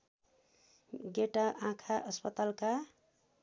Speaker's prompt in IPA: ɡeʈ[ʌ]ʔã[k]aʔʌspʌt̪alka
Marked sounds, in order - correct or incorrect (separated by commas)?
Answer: incorrect, incorrect